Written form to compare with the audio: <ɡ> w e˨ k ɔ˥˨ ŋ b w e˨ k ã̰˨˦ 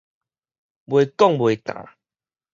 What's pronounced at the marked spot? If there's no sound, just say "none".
b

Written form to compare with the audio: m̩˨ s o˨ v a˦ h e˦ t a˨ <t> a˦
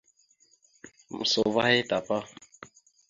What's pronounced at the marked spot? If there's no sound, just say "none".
p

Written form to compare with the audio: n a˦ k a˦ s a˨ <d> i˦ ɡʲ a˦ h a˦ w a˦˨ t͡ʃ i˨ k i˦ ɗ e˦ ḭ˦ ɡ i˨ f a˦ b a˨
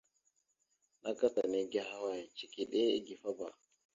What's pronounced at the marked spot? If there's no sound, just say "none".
n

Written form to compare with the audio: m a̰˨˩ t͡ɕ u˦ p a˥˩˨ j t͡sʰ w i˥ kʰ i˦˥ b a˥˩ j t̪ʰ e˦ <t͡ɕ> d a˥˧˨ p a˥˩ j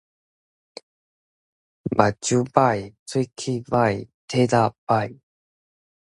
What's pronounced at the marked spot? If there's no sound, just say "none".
none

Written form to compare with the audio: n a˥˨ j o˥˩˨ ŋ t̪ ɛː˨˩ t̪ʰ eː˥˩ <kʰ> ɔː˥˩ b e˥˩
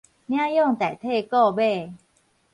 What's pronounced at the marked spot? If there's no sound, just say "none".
k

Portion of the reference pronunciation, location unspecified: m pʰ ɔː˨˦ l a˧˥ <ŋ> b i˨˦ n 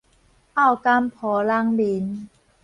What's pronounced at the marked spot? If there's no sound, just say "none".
ŋ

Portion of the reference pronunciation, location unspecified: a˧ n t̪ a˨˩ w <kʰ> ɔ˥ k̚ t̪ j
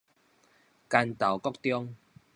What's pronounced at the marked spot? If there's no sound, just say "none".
k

